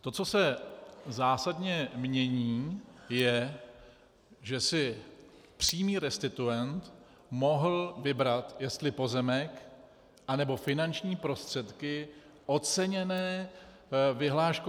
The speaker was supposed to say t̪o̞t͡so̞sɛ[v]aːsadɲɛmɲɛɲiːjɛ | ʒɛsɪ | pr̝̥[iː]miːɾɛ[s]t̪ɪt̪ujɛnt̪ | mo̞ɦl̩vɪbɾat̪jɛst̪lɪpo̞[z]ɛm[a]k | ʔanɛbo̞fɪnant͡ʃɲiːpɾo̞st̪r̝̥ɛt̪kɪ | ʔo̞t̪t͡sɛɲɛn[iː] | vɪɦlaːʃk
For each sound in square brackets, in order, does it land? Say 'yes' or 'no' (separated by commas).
no, yes, yes, yes, no, no